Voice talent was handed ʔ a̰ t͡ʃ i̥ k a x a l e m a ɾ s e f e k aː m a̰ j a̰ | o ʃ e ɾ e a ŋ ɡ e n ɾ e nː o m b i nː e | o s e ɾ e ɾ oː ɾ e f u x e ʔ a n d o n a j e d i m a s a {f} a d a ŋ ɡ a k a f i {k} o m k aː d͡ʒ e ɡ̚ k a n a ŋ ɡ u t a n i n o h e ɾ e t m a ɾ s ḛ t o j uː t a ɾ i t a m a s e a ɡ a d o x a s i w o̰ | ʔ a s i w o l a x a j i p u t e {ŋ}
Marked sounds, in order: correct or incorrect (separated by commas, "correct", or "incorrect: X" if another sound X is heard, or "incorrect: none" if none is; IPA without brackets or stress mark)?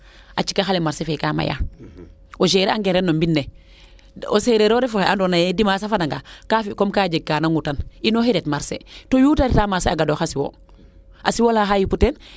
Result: correct, correct, incorrect: n